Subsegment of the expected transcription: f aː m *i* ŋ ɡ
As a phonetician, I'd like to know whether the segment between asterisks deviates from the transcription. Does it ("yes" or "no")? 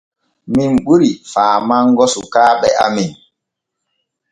yes